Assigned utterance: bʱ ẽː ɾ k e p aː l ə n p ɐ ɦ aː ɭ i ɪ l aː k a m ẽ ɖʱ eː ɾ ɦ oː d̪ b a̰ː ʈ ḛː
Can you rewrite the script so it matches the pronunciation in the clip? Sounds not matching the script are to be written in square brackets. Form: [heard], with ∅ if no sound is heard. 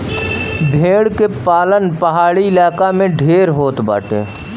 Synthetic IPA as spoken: bʱ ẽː [ɽ] k e p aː l ə n p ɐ ɦ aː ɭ i ɪ l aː k a m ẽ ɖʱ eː ɾ ɦ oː [t̪] b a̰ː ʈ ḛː